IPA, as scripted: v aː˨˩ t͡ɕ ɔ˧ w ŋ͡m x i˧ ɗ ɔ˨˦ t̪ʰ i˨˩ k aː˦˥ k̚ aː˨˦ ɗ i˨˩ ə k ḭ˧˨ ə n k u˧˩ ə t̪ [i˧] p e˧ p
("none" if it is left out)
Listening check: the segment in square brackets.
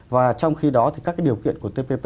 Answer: e˧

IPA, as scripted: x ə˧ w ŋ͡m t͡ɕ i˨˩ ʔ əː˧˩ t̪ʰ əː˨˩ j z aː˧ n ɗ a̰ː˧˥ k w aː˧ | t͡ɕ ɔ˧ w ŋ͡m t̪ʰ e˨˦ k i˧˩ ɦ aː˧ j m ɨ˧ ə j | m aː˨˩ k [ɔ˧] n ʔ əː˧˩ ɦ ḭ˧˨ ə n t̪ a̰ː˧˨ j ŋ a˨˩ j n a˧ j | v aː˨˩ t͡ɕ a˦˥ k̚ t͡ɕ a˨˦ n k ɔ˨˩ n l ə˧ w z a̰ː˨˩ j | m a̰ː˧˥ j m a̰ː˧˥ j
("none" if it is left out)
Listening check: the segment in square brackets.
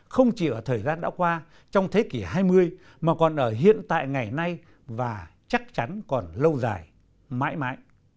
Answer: ɔ˨˩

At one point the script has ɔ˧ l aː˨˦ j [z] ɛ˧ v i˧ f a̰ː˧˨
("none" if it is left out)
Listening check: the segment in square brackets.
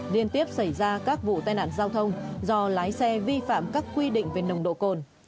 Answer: s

